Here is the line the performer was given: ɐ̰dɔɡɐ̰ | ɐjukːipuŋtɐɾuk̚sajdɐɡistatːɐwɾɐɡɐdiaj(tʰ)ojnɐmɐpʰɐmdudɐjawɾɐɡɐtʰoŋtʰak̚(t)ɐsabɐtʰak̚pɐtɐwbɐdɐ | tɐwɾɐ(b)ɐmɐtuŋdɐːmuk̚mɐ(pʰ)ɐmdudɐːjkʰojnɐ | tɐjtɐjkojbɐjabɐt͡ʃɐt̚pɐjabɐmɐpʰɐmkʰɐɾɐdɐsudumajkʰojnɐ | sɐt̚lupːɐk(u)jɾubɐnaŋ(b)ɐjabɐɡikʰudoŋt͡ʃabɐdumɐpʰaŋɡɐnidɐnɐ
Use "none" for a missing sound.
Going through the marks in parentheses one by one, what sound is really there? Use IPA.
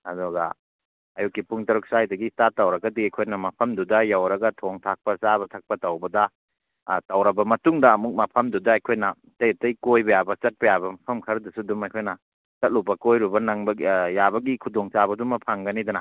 kʰ, p, b, pʰ, o, b

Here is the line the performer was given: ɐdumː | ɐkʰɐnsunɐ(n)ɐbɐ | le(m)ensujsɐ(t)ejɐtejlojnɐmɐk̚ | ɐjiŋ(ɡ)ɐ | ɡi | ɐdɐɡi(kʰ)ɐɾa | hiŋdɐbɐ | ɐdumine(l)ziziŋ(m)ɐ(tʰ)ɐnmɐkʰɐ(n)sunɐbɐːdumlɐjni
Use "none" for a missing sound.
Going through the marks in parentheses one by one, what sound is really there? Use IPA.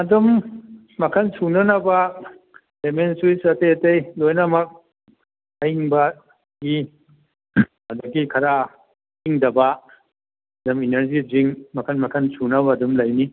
n, m, t, b, kʰ, ɾ, m, kʰ, n

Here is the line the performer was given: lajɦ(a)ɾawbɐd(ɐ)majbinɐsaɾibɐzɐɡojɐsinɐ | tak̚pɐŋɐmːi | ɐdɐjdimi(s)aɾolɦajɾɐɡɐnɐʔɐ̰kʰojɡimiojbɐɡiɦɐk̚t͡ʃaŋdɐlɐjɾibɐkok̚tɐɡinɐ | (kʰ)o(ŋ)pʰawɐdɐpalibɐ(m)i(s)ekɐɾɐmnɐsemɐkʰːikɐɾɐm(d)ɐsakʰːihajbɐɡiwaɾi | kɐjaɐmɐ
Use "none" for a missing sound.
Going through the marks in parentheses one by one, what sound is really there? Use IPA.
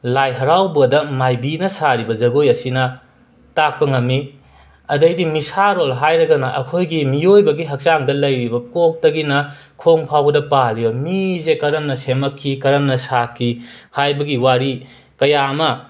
ɐ, ɐ, s, kʰ, ŋ, m, z, n

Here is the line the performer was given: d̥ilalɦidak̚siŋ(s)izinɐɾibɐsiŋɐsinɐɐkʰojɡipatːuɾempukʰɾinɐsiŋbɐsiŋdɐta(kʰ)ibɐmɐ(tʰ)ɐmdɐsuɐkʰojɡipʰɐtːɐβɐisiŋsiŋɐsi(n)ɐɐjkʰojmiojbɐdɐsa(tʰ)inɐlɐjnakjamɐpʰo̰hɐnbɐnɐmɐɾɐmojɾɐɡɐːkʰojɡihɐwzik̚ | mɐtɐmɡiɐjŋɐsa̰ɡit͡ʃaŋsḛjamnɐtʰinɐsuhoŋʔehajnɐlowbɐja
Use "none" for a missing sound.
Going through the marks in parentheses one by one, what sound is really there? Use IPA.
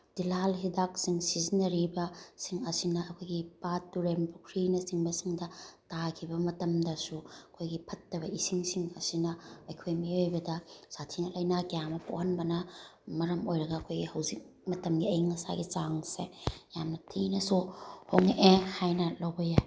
s, kʰ, t, n, tʰ

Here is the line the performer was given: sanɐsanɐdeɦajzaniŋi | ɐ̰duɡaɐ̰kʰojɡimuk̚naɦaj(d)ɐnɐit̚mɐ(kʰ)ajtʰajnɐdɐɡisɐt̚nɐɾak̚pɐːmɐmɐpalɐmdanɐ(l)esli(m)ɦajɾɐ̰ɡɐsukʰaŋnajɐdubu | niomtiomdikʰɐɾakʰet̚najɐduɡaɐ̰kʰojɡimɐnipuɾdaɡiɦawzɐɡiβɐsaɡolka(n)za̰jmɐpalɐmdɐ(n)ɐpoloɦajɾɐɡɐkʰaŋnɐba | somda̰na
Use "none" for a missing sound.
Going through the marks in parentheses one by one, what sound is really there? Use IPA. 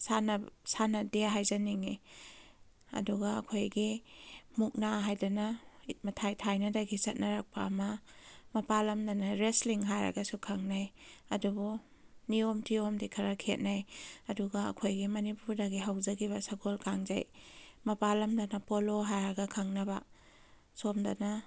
d, tʰ, ɾ, ŋ, ŋ, n

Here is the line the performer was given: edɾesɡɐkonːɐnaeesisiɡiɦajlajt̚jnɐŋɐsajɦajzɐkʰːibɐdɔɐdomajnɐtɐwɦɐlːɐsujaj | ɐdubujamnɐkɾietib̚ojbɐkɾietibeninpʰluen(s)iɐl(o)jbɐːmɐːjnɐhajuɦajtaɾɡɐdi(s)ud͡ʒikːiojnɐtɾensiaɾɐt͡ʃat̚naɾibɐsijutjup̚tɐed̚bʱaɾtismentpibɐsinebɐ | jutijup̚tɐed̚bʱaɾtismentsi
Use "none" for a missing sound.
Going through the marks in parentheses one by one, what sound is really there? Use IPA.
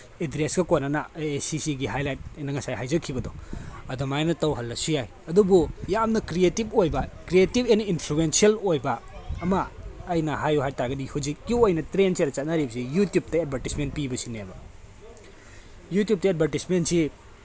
s, o, h

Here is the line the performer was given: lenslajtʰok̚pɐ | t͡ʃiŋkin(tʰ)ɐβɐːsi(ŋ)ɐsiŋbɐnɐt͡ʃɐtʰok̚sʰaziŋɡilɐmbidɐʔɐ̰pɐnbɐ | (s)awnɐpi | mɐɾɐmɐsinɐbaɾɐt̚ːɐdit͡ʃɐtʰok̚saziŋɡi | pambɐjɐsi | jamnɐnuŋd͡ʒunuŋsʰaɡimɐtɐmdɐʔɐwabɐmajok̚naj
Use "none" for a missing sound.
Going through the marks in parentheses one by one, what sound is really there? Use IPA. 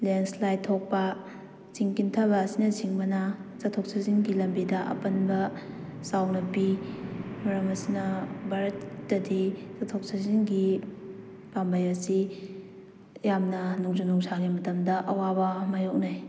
tʰ, n, s

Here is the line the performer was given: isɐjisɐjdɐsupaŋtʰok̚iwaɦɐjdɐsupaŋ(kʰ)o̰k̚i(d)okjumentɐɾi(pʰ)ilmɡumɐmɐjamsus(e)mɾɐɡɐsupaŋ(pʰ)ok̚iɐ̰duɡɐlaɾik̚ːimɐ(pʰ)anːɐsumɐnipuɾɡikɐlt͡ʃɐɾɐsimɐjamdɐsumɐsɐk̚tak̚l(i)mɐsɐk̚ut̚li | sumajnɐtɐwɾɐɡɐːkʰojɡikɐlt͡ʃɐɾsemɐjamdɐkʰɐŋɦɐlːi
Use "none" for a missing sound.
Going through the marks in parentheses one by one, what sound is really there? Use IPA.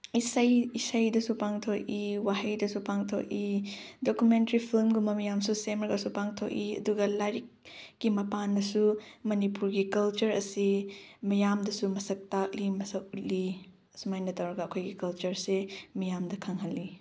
tʰ, d, pʰ, e, tʰ, p, i

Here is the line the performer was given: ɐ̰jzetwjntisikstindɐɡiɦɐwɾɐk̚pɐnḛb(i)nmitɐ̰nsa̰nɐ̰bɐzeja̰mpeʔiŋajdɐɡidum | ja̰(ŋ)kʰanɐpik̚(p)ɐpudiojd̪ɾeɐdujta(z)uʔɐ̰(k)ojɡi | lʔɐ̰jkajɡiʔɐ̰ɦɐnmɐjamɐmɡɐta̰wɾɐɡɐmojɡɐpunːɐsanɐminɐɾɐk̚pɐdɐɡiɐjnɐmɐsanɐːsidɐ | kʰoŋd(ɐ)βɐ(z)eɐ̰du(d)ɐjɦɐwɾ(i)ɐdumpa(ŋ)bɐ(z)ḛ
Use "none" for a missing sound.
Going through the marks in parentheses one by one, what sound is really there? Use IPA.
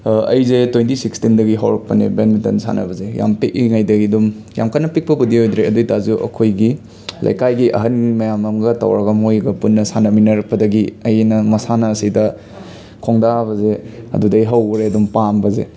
e, m, p, z, kʰ, a, z, d, e, m, z

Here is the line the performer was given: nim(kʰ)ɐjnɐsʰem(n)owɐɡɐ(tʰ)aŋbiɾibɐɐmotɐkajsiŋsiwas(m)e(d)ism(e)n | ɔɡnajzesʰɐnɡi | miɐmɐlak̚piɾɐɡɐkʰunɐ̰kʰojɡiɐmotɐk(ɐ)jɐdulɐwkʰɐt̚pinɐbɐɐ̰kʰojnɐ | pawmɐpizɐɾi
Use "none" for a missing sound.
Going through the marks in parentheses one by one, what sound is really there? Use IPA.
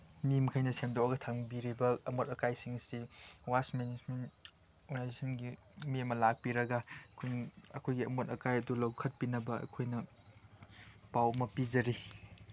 kʰ, d, tʰ, m, n, e, a

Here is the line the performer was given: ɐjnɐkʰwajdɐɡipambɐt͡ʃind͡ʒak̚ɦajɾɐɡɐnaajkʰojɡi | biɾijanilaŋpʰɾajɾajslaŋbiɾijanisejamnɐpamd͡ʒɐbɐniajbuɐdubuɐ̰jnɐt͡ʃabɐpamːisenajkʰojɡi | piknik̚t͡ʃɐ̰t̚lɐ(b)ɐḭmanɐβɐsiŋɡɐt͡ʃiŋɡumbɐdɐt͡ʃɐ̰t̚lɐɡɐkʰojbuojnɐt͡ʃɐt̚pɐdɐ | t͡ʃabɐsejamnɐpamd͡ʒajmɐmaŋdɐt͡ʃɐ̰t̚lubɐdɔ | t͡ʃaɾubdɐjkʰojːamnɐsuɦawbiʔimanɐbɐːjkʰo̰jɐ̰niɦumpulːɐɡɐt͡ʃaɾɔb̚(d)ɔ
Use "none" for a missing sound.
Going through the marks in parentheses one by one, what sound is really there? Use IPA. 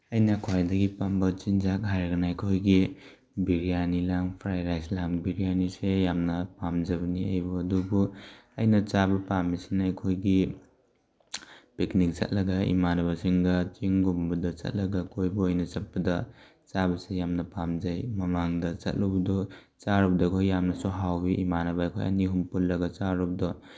ɡ, d

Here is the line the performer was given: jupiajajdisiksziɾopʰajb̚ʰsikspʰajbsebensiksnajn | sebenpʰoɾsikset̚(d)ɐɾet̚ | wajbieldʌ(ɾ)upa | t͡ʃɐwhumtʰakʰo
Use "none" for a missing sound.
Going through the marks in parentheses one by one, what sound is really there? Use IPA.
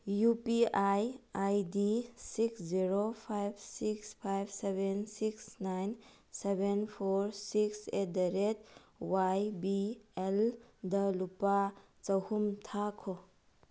d, l

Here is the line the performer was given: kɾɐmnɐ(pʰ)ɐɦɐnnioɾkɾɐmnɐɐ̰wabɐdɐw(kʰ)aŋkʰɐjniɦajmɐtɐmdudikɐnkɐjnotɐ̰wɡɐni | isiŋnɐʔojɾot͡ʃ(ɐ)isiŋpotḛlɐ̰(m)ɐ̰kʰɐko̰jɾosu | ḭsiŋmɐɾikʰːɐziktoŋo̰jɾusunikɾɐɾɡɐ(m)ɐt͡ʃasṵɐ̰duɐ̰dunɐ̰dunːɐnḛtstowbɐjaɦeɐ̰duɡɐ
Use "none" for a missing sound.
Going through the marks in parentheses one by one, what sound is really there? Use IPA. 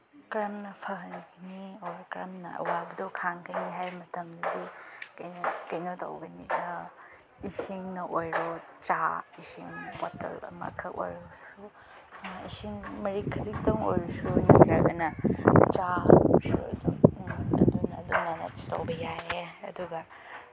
pʰ, kʰ, a, m, n

